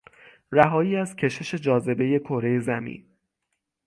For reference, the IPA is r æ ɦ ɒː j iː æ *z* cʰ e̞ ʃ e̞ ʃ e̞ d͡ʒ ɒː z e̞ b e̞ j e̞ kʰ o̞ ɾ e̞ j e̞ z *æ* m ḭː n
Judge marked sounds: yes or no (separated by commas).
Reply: yes, yes